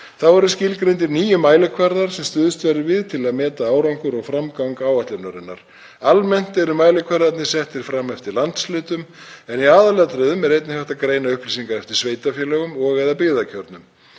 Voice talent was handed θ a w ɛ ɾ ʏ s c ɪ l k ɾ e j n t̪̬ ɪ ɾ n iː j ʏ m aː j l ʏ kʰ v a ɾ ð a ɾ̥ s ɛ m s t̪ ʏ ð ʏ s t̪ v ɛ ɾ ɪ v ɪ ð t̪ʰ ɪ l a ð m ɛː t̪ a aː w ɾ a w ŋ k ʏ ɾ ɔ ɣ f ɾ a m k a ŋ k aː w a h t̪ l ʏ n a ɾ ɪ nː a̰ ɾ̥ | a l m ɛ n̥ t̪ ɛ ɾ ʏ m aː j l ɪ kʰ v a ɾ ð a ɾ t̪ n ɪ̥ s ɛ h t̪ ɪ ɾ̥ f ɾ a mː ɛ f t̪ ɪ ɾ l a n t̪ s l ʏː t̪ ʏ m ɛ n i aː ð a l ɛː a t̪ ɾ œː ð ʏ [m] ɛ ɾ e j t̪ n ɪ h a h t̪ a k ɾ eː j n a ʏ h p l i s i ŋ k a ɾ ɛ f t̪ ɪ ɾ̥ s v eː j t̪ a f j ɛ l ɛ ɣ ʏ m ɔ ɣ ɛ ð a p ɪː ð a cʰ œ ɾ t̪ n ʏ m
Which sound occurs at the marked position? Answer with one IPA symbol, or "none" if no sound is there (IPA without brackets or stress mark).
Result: m